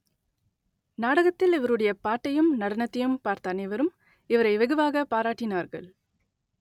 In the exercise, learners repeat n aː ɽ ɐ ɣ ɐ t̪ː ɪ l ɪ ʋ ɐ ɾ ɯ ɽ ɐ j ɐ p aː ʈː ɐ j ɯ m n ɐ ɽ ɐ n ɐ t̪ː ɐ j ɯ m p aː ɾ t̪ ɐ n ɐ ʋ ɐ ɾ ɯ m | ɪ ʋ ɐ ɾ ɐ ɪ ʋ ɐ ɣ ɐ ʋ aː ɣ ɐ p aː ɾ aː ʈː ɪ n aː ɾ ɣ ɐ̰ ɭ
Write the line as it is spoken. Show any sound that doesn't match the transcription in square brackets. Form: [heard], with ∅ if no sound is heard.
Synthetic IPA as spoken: n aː ɽ ɐ ɣ ɐ t̪ː ɪ l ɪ ʋ ɐ ɾ ɯ ɽ ɐ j ɐ p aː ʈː ɐ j ɯ m n ɐ ɽ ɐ n ɐ t̪ː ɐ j ɯ m p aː ɾ t̪ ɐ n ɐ ʋ ɐ ɾ ɯ m | ɪ ʋ ɐ ɾ ɐ ɪ ʋ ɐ ɣ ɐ ʋ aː ɣ ɐ p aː ɾ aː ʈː ɪ n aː ɾ ɣ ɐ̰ ɭ